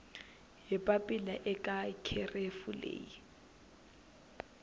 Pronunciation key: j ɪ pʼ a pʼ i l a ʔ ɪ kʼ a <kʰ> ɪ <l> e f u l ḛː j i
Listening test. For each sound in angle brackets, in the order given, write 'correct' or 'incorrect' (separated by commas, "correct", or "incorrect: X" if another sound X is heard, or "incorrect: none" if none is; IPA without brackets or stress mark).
correct, incorrect: r